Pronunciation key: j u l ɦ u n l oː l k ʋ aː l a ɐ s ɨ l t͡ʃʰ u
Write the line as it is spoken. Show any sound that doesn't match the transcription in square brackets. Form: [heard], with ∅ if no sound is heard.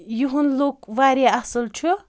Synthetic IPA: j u [∅] ɦ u n l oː [∅] k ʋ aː [ɾ] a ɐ s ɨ l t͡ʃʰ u